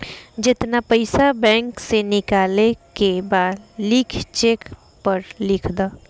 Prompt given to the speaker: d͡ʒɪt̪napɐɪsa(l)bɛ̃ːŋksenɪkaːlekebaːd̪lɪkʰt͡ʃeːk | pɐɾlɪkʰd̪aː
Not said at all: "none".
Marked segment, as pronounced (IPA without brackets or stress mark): none